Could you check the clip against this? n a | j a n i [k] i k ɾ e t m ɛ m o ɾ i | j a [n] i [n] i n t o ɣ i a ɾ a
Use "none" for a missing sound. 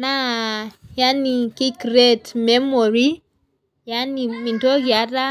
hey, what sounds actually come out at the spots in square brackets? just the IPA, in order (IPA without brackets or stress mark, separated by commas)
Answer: k, n, m